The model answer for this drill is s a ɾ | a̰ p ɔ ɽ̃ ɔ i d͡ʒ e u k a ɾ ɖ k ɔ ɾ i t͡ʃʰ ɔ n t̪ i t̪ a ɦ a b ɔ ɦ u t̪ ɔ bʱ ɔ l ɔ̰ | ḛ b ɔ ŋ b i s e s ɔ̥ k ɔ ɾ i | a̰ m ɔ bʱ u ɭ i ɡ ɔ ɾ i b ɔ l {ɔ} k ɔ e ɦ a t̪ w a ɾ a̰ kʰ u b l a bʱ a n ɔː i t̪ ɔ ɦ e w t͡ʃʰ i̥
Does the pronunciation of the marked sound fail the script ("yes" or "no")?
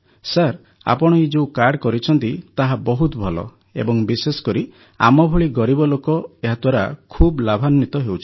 yes